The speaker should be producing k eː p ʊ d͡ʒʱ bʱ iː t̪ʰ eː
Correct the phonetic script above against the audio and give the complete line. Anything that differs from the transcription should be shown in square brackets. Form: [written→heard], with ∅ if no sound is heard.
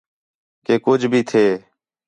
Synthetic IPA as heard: k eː [p→k] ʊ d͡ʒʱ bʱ iː t̪ʰ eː